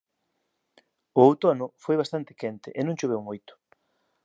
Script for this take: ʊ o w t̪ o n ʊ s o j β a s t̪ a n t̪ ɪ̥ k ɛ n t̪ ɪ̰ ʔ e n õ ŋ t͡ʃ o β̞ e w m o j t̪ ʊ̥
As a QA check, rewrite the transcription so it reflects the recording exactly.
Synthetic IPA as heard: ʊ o w t̪ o n ʊ f o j β a s t̪ a n t̪ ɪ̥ k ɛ n t̪ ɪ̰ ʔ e n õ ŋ t͡ʃ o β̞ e w m o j t̪ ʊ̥